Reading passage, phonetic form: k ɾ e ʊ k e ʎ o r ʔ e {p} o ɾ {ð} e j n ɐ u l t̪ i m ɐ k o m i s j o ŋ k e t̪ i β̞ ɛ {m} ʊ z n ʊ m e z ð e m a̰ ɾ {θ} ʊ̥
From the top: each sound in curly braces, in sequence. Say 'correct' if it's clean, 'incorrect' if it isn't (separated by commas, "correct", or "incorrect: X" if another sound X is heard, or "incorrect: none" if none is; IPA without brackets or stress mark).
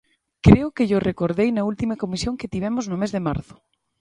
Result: incorrect: k, correct, correct, correct